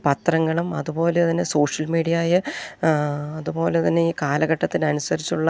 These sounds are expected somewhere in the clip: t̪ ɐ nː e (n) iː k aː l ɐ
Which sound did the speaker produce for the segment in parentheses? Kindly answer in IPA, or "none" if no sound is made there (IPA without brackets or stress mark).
none